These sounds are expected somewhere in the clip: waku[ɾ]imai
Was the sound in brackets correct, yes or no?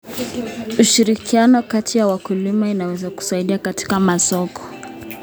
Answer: no